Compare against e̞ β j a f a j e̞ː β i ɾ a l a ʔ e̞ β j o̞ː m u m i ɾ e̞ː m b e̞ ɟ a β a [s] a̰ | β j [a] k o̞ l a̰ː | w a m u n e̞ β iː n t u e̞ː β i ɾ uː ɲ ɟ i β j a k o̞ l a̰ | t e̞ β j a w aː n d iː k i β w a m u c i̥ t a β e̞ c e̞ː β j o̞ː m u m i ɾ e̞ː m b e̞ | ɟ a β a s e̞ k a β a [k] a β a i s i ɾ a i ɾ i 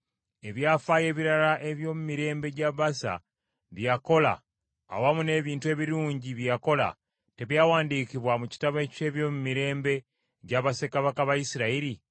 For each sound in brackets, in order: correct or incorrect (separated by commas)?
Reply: correct, correct, correct